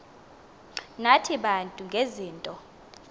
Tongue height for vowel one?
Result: low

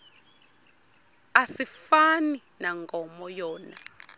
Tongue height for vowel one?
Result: low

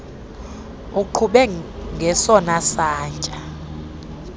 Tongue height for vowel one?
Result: high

